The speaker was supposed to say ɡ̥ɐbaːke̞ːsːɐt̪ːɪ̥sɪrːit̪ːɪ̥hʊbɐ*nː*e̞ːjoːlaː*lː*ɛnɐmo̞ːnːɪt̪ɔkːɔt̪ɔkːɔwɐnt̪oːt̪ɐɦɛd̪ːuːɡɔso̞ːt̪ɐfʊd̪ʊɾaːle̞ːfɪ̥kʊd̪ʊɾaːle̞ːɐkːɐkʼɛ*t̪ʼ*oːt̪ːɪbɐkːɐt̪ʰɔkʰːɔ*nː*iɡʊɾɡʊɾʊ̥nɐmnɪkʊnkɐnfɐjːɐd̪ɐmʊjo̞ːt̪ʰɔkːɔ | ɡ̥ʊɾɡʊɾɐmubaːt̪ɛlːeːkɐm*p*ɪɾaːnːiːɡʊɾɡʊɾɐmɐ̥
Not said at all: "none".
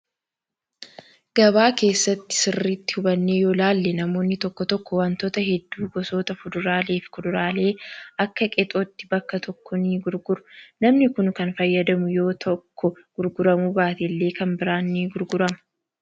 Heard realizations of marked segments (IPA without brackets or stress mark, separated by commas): nː, lː, t̪ʼ, n, b